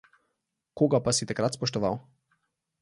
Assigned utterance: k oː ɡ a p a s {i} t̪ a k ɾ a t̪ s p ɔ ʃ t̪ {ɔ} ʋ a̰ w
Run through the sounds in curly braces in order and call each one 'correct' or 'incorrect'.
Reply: correct, correct

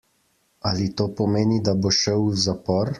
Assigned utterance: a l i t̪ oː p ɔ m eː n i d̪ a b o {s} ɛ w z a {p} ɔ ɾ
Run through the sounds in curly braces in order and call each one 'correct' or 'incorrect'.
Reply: incorrect: ʃ, correct

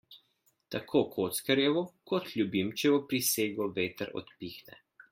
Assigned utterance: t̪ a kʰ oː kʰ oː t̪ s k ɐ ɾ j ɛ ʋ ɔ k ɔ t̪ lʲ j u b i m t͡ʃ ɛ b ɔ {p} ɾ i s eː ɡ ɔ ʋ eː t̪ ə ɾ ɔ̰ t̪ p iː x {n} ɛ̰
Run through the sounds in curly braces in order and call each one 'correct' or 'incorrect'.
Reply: correct, correct

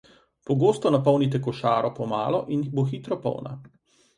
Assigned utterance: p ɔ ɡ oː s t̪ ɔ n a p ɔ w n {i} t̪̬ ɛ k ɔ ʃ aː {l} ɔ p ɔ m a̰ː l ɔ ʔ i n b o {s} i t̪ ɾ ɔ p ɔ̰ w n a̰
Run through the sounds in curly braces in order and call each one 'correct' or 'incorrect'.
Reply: correct, incorrect: ɾ, incorrect: x

